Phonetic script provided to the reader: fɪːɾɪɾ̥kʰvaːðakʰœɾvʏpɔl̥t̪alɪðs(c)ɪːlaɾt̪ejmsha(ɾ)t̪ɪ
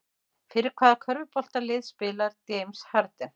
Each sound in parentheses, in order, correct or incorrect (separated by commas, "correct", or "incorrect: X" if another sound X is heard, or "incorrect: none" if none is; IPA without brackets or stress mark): incorrect: p, correct